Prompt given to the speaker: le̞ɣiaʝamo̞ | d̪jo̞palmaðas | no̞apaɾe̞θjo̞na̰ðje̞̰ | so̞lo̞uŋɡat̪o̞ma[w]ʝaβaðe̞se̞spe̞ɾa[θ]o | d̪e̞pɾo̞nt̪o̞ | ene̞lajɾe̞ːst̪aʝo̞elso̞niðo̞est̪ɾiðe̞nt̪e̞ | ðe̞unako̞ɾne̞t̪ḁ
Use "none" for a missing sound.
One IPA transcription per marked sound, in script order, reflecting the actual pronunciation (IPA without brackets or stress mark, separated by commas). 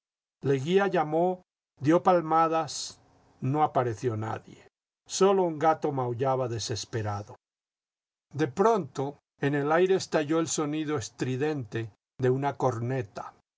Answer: w, ð